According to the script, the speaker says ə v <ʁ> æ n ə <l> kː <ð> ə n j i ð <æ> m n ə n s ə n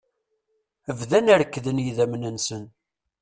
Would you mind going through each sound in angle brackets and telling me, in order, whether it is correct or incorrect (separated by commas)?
incorrect, incorrect, correct, correct